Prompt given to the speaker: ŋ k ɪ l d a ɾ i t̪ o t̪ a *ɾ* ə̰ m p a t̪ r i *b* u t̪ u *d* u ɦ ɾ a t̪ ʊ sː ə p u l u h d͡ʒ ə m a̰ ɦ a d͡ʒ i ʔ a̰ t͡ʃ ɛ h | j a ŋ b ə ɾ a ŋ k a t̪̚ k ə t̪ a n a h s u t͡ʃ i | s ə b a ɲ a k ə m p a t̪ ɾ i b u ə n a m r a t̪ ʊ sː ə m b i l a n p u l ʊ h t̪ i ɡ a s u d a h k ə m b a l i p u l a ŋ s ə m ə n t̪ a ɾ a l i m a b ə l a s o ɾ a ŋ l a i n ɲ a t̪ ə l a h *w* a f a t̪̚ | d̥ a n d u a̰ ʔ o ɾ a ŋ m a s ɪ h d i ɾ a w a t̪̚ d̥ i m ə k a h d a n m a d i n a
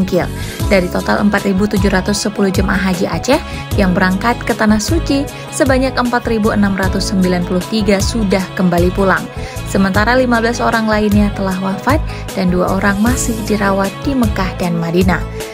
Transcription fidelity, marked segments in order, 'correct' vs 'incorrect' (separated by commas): incorrect, correct, incorrect, correct